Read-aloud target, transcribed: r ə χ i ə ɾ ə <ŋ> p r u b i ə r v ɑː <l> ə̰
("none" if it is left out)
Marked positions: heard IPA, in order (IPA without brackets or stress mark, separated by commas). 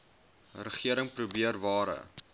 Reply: ŋ, ɾ